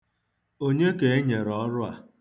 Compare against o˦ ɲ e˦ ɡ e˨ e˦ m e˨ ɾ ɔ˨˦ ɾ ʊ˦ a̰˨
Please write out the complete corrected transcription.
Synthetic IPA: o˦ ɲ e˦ k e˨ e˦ ɲ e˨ ɾ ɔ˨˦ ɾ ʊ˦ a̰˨